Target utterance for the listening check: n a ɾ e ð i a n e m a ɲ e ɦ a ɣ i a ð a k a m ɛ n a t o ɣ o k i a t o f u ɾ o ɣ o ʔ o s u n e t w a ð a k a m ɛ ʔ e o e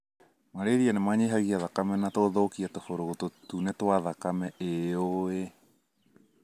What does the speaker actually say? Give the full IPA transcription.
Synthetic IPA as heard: m a ɾ e ð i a n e m a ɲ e ɦ a ɣ i a ð a k a m ɛ n a t o ð o k i a t o f o ɾ o ɣ o t o t u n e t w a ð a k a m ɛ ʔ e o e